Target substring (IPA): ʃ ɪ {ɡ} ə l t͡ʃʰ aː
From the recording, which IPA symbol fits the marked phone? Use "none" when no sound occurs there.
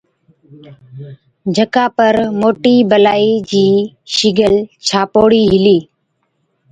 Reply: ɡ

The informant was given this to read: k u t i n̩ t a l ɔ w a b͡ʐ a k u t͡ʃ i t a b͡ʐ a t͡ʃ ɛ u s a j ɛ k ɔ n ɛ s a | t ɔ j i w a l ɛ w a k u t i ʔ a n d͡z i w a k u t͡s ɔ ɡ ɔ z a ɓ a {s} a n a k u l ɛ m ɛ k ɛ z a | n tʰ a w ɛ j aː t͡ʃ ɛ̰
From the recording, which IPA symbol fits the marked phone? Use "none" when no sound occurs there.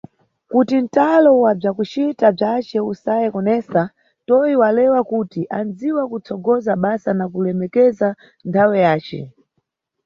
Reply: s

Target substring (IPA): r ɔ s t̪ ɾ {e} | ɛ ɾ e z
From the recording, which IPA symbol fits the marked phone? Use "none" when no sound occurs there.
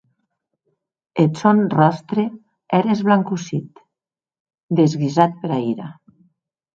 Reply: e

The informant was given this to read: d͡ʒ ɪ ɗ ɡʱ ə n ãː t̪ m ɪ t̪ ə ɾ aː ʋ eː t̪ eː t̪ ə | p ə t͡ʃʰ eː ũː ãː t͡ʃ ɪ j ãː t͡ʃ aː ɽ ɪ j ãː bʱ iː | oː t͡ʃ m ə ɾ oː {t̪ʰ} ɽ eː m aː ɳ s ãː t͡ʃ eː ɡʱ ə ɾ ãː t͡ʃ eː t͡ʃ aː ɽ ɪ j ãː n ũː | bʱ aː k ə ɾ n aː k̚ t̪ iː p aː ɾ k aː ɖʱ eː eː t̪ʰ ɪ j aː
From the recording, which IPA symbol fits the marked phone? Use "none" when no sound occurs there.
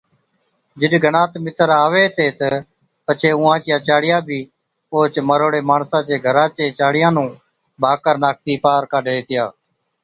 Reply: none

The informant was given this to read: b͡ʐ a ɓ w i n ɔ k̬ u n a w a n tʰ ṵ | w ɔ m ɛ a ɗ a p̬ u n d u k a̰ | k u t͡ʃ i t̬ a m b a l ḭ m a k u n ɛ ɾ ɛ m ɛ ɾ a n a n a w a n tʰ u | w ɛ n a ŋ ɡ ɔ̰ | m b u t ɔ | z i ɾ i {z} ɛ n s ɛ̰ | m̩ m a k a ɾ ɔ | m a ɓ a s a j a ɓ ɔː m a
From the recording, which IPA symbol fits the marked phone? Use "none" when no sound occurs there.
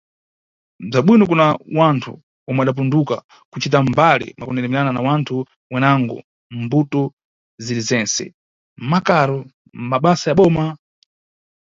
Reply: z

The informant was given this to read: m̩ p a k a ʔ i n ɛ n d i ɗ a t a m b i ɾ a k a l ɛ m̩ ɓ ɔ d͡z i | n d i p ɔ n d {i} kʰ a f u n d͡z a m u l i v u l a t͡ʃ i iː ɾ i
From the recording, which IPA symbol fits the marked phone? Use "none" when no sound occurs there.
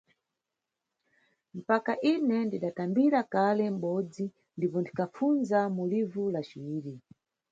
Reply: i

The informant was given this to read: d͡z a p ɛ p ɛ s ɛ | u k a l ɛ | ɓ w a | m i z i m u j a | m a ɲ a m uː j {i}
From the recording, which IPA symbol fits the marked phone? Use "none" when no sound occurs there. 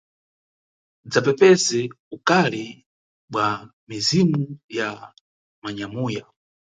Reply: a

